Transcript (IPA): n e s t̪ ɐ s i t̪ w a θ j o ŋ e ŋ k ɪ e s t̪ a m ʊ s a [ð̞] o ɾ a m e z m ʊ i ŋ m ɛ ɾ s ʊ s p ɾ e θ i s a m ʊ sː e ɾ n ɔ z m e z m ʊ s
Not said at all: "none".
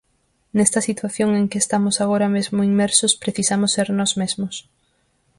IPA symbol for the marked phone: ɣ̞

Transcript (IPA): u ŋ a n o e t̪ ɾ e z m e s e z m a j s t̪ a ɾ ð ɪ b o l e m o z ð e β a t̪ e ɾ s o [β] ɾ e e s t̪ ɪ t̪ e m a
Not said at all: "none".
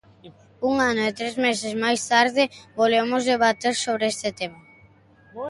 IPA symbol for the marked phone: β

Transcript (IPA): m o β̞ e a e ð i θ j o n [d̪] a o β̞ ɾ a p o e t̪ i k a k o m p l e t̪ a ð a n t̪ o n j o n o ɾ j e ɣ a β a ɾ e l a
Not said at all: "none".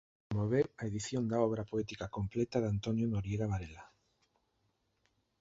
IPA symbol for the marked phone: d̪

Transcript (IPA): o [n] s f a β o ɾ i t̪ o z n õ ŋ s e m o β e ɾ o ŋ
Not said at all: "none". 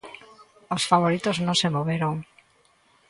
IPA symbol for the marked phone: none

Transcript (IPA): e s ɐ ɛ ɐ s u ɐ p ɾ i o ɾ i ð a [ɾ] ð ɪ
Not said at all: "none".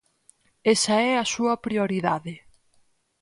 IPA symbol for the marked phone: none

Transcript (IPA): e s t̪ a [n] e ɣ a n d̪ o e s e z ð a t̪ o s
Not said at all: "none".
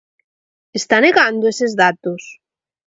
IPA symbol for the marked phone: n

